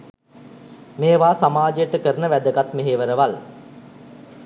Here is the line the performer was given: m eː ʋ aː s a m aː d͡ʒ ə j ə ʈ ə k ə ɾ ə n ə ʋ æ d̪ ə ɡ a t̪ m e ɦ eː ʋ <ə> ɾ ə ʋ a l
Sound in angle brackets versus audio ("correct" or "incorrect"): correct